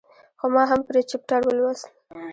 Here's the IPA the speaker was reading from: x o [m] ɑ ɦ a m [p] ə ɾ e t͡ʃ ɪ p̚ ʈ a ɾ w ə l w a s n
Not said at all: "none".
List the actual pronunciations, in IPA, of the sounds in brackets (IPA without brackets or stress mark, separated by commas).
m, p